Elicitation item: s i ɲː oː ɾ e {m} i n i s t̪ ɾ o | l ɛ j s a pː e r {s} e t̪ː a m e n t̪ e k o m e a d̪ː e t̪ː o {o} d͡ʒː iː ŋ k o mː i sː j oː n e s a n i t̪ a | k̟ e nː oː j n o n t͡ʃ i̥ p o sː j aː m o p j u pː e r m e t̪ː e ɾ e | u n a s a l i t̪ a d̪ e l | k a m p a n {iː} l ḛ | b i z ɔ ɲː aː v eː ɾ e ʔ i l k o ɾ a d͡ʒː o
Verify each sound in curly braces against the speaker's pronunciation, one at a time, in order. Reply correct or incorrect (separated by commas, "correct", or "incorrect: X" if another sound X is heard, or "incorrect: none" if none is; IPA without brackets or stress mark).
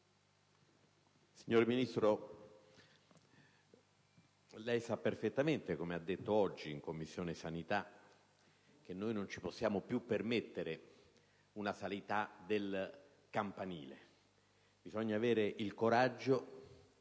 correct, incorrect: f, incorrect: ɔ, correct